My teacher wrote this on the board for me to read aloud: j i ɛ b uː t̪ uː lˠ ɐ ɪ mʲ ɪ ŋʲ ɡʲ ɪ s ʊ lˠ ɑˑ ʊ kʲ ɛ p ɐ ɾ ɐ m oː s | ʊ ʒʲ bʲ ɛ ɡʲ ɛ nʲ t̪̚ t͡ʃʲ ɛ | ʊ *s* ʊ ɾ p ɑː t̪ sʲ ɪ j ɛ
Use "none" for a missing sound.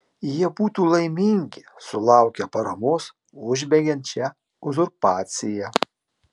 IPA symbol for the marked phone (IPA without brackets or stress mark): z